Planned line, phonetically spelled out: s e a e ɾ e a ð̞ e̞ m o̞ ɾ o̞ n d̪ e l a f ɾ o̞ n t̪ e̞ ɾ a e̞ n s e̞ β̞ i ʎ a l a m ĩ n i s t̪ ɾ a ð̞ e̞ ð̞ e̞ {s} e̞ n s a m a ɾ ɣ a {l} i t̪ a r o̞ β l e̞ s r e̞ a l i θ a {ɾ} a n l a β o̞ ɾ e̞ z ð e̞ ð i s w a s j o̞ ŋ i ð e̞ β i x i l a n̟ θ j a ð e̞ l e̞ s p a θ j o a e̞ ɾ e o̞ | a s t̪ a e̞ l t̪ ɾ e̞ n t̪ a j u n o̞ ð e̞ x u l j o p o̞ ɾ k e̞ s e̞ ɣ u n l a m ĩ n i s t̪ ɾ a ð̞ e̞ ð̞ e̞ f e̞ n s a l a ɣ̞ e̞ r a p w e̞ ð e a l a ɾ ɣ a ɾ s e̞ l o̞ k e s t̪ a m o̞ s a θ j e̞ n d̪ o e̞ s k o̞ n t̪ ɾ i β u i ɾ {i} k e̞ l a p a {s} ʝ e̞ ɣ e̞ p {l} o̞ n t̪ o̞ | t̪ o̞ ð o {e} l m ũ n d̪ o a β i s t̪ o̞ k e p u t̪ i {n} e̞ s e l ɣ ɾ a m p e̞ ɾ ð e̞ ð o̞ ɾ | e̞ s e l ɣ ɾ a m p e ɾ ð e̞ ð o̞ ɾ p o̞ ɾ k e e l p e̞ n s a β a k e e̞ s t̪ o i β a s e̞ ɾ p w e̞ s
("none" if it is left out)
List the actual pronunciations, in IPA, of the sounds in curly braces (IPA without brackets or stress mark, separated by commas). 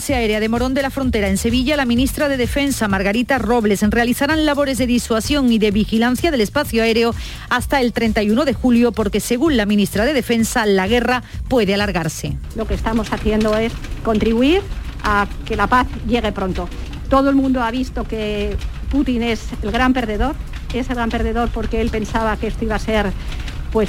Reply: f, ɾ, ɾ, a, θ, ɾ, e, n